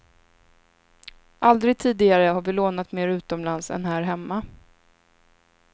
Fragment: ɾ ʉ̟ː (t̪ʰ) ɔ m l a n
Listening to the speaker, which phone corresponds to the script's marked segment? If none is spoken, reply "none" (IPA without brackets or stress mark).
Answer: t̪